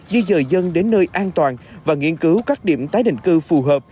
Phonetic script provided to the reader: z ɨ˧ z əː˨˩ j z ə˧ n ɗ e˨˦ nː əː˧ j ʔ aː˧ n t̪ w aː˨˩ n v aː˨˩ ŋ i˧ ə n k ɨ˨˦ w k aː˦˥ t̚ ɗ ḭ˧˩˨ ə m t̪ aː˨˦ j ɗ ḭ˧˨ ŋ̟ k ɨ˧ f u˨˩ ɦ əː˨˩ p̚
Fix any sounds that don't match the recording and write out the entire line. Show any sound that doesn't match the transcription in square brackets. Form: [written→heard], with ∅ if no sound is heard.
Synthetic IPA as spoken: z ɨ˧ z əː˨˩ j z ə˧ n ɗ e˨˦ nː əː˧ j ʔ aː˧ n t̪ w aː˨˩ n v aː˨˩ ŋ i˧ ə n k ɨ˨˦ w k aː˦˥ [t̚→k̚] ɗ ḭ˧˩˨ ə m t̪ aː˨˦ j ɗ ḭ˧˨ ŋ̟ k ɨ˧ f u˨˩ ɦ əː˨˩ p̚